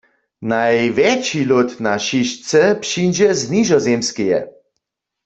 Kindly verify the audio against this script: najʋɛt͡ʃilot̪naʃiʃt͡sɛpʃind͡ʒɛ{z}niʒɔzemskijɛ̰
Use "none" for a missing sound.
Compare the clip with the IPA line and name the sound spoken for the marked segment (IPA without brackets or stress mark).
z